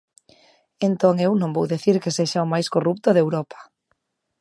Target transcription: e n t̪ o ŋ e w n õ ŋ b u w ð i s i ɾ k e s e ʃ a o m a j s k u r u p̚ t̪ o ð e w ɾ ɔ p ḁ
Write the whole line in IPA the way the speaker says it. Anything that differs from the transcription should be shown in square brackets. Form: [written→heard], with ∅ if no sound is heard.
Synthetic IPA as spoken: e n t̪ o ŋ e w n õ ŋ b [u→o] w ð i [s→θ] i ɾ k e s e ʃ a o m a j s k [u→o] r u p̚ t̪ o ð e w ɾ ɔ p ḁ